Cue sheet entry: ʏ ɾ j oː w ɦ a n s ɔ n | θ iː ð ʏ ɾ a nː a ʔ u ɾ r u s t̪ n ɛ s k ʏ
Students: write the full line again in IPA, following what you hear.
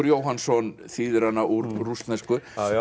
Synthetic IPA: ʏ ɾ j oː w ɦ a n s ɔ n | θ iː ð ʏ ɾ a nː a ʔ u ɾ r u s t̪ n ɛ s k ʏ